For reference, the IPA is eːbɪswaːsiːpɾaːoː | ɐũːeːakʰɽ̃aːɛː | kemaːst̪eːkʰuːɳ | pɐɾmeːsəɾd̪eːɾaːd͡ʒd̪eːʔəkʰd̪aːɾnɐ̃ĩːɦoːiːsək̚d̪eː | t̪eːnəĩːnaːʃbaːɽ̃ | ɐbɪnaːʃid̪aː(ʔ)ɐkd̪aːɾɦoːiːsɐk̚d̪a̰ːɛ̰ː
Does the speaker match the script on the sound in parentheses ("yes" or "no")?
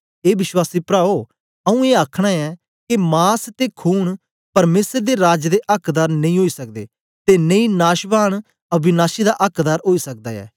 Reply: yes